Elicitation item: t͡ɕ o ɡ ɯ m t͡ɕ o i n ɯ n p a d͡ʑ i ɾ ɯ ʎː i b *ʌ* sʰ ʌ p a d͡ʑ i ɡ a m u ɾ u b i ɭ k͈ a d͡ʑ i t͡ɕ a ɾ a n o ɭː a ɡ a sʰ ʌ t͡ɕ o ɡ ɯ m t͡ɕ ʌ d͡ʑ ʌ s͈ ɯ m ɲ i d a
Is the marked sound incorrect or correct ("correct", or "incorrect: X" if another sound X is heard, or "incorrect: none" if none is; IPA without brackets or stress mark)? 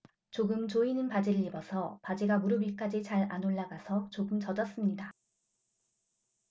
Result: correct